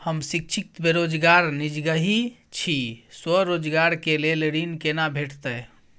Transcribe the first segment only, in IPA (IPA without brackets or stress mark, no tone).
h